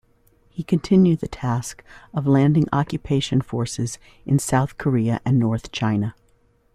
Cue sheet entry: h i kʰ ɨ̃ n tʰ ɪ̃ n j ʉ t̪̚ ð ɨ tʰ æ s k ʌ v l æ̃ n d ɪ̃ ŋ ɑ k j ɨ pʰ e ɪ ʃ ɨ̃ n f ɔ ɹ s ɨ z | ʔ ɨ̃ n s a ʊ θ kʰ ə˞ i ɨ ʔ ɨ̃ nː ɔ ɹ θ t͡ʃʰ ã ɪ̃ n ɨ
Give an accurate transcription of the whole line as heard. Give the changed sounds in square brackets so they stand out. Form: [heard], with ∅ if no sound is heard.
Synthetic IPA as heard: h i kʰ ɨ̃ n tʰ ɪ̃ n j ʉ [d̪̚] ð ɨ tʰ æ s k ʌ v l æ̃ n d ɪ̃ ŋ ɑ k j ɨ pʰ e ɪ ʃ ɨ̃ n f ɔ ɹ s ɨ z | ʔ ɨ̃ n s a ʊ θ kʰ ə˞ i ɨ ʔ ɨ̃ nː ɔ ɹ θ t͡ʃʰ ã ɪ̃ n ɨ